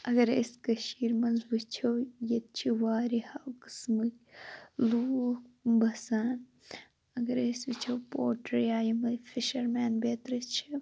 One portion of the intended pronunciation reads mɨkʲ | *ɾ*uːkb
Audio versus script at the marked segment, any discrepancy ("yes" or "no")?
yes